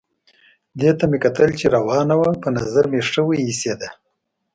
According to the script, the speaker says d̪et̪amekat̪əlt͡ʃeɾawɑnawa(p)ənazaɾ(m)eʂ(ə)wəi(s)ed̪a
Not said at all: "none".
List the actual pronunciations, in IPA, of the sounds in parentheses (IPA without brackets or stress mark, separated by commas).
p, m, ə, s